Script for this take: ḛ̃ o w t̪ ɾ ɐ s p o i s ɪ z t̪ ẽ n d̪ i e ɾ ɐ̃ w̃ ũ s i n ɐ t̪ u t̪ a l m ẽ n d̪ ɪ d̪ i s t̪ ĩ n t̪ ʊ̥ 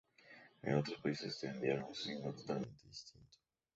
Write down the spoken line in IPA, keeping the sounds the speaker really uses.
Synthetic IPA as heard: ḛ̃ o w t̪ ɾ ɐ s p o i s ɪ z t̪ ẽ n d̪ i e ɾ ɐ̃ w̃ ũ s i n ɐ t̪ o t̪ a l m ẽ n t̪ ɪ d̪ i s t̪ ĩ n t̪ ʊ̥